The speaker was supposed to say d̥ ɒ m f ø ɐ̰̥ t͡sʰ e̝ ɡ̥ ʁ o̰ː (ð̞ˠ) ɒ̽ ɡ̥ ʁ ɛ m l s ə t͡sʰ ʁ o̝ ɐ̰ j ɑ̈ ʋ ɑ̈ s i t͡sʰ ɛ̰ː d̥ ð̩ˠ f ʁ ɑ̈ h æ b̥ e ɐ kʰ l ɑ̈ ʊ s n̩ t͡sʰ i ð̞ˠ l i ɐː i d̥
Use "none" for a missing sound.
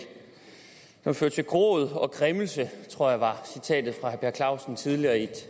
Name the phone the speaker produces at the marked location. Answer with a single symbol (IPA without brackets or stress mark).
ð̞ˠ